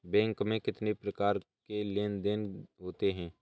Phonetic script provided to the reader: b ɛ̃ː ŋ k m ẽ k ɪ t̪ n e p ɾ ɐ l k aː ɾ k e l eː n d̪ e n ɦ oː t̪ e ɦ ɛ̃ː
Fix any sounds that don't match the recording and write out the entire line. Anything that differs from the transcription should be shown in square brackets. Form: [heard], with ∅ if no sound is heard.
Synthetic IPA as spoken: b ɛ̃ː ŋ k m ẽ k ɪ t̪ n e p ɾ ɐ [∅] k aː ɾ k e l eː n d̪ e n ɦ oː t̪ e ɦ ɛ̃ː